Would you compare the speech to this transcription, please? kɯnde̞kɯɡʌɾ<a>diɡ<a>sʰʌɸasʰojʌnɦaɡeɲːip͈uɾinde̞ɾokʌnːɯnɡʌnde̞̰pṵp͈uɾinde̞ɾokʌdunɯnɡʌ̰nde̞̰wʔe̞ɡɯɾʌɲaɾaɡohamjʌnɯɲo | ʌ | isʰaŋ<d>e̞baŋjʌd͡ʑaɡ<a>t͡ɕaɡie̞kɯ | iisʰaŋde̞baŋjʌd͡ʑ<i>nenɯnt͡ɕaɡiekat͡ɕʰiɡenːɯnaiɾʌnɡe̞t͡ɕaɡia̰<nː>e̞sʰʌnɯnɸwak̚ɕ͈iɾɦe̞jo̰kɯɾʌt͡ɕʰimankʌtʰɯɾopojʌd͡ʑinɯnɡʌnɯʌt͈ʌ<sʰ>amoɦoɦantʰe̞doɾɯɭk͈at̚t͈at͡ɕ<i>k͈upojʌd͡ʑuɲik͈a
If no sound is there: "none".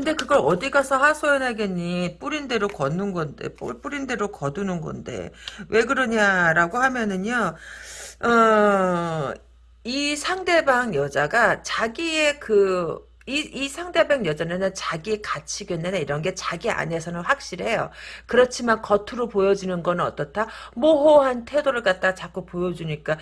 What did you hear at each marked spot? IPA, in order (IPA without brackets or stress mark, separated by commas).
ʌ, a, d, a, a, n, tʰ, a